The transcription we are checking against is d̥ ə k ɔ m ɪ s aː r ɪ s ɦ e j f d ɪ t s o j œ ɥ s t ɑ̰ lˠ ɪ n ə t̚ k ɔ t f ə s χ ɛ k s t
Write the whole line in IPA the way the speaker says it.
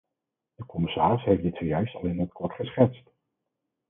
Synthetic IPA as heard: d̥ ə k ɔ m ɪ s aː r ɪ s ɦ e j f d ɪ t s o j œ ɥ s t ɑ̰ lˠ ɪ n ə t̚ k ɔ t χ ə s χ ɛ t s t